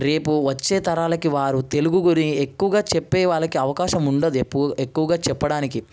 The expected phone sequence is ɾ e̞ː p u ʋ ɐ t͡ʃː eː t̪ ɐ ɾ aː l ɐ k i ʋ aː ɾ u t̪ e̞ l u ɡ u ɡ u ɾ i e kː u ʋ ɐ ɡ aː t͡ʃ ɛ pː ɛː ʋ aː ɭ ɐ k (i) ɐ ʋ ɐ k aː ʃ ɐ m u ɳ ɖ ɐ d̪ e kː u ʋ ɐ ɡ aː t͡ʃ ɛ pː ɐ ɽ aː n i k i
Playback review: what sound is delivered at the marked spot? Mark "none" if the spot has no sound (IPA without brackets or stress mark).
i